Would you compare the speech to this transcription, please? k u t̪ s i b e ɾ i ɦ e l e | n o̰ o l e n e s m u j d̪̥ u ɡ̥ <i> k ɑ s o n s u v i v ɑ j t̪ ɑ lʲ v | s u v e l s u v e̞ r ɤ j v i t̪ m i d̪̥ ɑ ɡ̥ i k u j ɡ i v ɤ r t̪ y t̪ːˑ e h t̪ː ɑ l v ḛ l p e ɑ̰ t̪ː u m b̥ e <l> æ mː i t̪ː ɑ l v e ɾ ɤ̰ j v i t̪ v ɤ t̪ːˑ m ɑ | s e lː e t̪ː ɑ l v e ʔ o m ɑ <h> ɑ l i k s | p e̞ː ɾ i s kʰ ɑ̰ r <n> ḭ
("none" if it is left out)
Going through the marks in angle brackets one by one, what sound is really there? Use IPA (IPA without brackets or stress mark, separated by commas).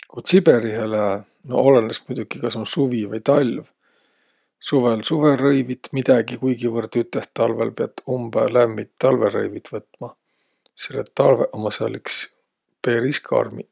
i, l, s, m